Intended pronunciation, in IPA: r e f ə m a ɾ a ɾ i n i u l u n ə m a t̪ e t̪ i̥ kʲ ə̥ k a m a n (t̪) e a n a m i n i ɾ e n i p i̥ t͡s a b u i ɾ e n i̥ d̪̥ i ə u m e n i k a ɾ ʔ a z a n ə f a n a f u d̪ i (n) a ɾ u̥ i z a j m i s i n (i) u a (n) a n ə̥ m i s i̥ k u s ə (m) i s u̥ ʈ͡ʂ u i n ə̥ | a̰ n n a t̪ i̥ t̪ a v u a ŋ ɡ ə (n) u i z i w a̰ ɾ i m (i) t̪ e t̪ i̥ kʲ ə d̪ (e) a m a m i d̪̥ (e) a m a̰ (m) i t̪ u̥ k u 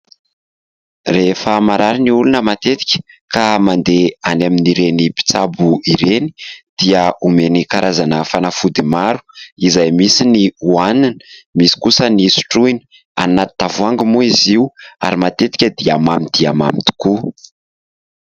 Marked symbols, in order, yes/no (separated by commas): no, no, yes, yes, no, no, no, no, no, yes